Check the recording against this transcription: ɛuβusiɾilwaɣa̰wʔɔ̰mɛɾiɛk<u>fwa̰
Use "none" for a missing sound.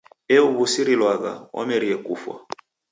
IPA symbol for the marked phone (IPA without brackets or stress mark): u